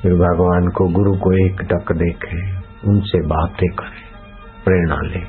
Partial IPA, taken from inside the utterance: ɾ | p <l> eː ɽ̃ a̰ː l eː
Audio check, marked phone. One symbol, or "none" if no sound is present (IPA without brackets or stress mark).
ɾ